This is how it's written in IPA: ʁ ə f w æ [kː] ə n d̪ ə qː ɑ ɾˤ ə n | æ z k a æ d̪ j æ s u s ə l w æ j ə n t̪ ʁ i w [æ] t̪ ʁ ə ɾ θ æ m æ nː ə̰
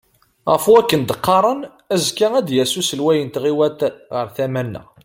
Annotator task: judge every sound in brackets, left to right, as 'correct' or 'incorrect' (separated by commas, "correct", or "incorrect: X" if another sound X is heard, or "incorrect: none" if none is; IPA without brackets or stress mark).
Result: correct, correct